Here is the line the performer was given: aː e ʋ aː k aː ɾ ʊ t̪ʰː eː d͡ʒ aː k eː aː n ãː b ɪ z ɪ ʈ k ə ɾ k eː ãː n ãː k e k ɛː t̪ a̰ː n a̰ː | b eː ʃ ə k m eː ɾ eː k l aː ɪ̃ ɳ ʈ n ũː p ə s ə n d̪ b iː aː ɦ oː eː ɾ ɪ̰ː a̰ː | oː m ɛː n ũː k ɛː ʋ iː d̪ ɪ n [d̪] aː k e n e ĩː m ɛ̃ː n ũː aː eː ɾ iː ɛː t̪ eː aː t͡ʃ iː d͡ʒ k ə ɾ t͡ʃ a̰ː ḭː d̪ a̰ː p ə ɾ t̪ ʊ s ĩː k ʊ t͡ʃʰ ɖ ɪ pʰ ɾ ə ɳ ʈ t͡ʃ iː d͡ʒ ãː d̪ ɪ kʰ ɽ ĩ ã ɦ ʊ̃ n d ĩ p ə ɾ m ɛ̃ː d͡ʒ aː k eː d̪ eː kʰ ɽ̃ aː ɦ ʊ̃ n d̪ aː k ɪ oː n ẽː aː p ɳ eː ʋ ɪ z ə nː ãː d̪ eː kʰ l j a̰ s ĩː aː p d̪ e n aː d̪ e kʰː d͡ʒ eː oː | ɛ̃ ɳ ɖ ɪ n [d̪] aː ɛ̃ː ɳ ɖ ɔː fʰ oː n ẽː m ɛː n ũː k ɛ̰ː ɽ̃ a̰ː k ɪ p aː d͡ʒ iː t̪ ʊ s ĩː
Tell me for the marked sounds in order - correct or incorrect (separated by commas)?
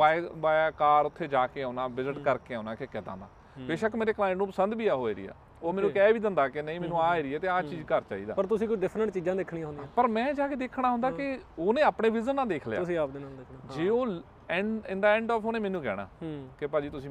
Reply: correct, correct